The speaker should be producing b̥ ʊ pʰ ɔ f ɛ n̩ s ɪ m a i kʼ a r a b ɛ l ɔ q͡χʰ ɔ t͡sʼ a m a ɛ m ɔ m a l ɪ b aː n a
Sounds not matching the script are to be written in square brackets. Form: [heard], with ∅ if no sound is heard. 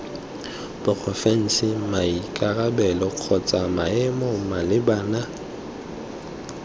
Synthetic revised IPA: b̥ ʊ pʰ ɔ f ɛ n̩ s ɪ m a i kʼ a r a b ɛ l ɔ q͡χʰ ɔ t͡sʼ a m a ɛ m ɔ m a l ɪ b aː n a